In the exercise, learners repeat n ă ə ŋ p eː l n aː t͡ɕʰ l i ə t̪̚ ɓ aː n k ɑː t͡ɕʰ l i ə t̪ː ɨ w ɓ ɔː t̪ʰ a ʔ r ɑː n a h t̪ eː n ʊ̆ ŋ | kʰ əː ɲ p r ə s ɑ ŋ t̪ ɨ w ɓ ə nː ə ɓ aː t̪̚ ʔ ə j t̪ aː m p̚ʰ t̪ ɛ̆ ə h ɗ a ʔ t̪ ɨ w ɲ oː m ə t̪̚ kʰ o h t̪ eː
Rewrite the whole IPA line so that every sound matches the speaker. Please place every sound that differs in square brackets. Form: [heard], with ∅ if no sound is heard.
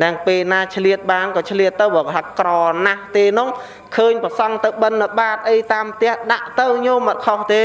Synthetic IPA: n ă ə ŋ p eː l n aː t͡ɕʰ l i ə t̪̚ ɓ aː n k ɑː t͡ɕʰ l i ə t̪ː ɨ w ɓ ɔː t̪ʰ a [k] r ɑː n a h t̪ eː n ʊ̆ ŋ | kʰ əː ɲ p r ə s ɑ ŋ t̪ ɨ w ɓ ə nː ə ɓ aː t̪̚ ʔ ə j t̪ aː m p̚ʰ t̪ ɛ̆ ə h ɗ a ʔ t̪ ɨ w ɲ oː m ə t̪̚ kʰ o h t̪ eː